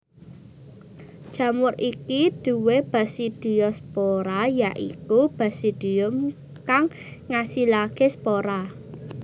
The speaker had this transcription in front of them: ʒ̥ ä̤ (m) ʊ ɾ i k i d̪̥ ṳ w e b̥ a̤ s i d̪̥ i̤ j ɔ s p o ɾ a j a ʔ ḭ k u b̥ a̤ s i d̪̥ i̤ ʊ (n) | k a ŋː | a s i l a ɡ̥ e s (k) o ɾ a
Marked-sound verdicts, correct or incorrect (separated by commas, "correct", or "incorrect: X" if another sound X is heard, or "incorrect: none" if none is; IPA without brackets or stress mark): correct, incorrect: m, incorrect: p